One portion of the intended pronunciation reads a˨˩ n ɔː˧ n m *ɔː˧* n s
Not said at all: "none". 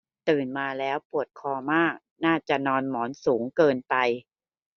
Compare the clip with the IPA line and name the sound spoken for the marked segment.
ɔː˩˦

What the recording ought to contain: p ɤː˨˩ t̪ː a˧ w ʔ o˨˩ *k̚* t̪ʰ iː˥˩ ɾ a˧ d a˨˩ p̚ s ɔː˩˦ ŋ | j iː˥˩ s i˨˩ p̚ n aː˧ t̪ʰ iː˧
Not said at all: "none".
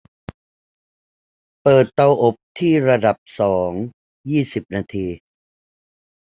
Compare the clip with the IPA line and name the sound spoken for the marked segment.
p̚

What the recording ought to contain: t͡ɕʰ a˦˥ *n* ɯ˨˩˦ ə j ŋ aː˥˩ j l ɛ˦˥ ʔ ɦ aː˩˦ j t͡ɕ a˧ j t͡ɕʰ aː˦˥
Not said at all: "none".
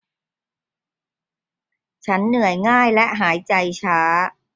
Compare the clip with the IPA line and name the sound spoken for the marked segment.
nː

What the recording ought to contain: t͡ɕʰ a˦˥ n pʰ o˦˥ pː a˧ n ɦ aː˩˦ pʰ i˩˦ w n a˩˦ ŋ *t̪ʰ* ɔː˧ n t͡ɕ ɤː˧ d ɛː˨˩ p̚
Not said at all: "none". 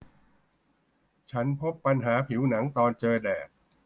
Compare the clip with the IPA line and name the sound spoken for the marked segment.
t̪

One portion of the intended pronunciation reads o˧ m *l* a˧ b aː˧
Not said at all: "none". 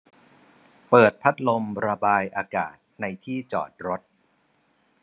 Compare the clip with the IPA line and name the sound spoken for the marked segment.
ɾ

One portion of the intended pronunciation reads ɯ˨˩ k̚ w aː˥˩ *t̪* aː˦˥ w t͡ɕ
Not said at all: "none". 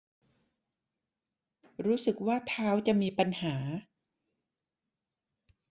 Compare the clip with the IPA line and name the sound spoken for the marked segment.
t̪ʰ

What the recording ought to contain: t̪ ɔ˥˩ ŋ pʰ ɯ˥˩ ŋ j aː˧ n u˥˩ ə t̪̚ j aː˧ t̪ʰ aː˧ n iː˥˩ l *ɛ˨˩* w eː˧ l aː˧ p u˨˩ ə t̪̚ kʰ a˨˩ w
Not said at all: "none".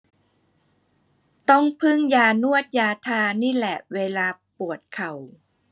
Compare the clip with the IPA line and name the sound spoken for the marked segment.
ɛ˨˩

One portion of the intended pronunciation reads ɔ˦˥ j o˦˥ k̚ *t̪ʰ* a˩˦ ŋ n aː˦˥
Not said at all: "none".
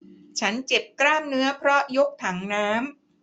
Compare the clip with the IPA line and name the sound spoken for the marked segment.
t̪ʰ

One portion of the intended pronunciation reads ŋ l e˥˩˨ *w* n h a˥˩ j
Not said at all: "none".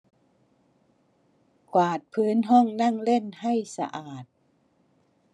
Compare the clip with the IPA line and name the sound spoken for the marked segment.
none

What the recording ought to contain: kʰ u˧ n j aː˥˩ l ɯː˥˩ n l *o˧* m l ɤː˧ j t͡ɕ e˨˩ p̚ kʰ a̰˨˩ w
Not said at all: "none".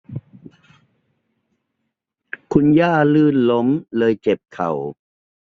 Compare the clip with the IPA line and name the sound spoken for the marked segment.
o˦˥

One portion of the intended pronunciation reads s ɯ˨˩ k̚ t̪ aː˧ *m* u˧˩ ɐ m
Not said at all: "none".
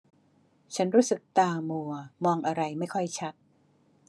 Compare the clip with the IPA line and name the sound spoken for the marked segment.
m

